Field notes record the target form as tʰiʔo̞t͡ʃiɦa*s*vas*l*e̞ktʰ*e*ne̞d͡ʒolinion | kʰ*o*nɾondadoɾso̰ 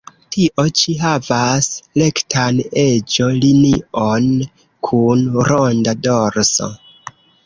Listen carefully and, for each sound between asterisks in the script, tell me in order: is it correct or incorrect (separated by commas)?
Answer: incorrect, correct, incorrect, incorrect